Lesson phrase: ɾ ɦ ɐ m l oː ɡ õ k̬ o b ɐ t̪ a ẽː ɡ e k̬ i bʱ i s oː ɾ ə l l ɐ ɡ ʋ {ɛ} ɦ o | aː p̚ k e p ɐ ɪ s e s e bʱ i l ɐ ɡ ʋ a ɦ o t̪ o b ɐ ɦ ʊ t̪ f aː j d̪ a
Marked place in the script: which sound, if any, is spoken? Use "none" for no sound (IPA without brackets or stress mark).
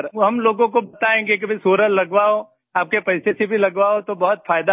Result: a